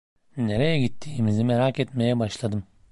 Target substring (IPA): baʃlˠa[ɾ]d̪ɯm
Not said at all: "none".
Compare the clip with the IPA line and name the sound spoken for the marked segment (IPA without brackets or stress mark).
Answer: none